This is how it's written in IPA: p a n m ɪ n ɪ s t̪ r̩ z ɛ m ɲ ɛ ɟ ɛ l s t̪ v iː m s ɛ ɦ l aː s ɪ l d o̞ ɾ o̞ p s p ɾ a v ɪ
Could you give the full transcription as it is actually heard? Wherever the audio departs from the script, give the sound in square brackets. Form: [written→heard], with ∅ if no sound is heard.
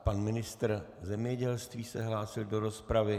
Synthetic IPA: p a n m ɪ n ɪ s t̪ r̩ z ɛ m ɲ ɛ ɟ ɛ l s t̪ v iː [m→∅] s ɛ ɦ l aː s ɪ l d o̞ ɾ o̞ [p→∅] s p ɾ a v ɪ